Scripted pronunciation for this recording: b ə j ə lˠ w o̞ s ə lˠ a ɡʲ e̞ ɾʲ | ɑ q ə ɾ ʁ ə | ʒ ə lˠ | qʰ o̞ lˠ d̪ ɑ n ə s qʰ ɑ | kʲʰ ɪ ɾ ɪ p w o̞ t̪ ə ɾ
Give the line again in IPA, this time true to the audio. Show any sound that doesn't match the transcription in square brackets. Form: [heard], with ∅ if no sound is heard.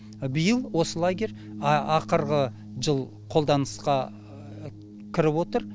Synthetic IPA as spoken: b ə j ə lˠ w o̞ s ə lˠ a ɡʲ e̞ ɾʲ | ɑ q ə ɾ ʁ ə | ʒ ə lˠ | qʰ o̞ lˠ d̪ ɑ n ə s [q] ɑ | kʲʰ ɪ ɾ ɪ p w o̞ t̪ ə ɾ

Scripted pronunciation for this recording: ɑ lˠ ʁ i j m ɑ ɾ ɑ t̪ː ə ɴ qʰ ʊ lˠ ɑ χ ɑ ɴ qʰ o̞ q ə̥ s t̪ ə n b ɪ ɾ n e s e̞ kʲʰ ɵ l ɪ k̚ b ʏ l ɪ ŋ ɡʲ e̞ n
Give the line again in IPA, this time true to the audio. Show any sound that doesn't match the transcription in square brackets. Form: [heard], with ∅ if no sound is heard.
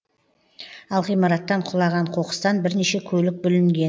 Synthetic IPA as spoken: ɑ lˠ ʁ i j m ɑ ɾ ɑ t̪ː [ɑ] ɴ qʰ ʊ lˠ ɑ [ʁ] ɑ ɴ qʰ o̞ q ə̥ s t̪ [ɑ] n b ɪ ɾ n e [ʃ] e̞ kʲʰ ɵ l ɪ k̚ b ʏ l ɪ ŋ ɡʲ e̞ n

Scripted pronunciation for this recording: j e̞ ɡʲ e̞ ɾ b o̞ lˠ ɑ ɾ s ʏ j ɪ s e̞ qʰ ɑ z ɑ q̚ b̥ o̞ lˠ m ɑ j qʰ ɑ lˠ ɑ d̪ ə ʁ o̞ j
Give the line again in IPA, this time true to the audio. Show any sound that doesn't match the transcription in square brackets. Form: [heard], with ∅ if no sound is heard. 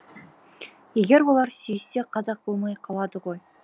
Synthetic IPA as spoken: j e̞ ɡʲ e̞ ɾ [w] o̞ lˠ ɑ ɾ s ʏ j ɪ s e̞ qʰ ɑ z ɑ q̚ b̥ o̞ lˠ m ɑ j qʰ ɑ lˠ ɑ d̪ ə ʁ o̞ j

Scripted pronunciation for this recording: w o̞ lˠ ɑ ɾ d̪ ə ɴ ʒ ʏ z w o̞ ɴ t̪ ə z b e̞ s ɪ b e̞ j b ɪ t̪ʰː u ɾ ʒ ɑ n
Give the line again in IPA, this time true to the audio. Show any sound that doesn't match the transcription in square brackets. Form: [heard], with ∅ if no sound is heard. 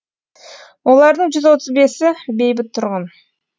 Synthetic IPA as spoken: w o̞ lˠ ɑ ɾ d̪ ə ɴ ʒ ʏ z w o̞ [∅] t̪ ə z b e̞ s ɪ b e̞ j b ɪ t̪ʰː [ʊ] ɾ [ʁ] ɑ n

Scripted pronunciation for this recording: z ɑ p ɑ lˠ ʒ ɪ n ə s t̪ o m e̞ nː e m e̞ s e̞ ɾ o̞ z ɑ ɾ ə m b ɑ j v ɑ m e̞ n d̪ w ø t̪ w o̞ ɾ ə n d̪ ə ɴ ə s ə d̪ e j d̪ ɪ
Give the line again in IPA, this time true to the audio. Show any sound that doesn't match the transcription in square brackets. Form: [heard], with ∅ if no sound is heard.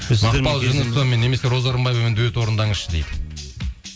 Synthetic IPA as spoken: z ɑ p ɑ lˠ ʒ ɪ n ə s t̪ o m e̞ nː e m e̞ s e̞ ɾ o̞ z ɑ ɾ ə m b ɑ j v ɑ m e̞ n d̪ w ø t̪ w o̞ ɾ ə n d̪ [ɑ] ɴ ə [ʃ] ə d̪ e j d̪ ɪ

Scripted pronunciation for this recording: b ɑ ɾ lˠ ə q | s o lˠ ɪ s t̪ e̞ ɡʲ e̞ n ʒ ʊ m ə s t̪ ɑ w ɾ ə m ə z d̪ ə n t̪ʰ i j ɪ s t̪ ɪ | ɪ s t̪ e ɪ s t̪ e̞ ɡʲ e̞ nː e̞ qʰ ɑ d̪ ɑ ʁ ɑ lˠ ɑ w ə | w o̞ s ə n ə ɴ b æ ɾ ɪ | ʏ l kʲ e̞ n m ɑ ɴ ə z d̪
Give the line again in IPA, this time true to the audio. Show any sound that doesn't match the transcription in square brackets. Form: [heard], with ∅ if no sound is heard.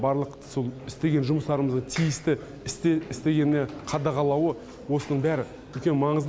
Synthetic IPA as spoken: b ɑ ɾ lˠ ə q | s o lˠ ɪ s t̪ e̞ ɡʲ e̞ n ʒ ʊ m ə s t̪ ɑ [∅] ɾ ə m ə z d̪ ə [ɴ] t̪ʰ i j ɪ s t̪ ɪ | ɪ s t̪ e ɪ s t̪ e̞ ɡʲ e̞ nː e̞ qʰ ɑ d̪ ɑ ʁ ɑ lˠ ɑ w ə | w o̞ s ə n ə ɴ b æ ɾ ɪ | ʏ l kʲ e̞ n m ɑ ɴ ə z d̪

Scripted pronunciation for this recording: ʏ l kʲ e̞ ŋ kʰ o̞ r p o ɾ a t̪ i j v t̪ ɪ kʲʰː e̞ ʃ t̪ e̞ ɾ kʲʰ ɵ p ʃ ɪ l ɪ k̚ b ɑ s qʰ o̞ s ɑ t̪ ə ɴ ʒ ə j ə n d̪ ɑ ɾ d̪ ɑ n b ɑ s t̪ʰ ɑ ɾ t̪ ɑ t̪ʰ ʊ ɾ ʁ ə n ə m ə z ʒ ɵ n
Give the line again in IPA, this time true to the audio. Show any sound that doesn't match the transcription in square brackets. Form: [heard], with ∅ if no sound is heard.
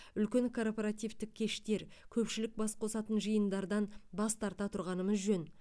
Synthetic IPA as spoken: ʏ l kʲ e̞ ŋ kʰ o̞ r p o ɾ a t̪ i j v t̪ ɪ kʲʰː e̞ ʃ t̪ e̞ ɾ kʲʰ ɵ p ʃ ɪ l ɪ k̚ b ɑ s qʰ o̞ s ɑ t̪ ə [n] ʒ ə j ə n d̪ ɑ ɾ d̪ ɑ n b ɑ s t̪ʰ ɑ ɾ t̪ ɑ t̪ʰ ʊ ɾ ʁ [ɑ] n ə m ə z ʒ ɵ n

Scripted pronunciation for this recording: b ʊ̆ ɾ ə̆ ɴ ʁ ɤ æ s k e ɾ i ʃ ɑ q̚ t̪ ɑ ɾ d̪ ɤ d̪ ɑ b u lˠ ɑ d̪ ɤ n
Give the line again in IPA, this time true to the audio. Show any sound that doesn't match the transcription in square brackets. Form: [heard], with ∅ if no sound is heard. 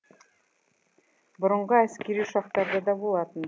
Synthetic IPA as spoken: b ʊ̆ ɾ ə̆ ɴ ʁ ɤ æ s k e ɾ i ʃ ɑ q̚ t̪ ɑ ɾ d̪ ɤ d̪ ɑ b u lˠ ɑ [t̪] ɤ n

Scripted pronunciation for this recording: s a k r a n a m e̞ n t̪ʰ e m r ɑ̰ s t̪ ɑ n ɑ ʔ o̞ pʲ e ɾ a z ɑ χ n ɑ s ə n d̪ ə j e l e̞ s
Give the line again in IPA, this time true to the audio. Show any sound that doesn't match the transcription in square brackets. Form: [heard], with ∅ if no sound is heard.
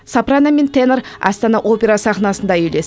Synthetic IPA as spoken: s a [p] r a n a m e̞ n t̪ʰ e [n] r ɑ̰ s t̪ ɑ n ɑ ʔ o̞ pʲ e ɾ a [s] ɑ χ n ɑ s ə n d̪ [ɑ] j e l e̞ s

